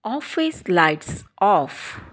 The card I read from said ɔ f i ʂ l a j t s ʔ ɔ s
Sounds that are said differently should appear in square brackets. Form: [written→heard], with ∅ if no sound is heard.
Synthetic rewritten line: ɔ f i [ʂ→s] l a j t s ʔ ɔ [s→f]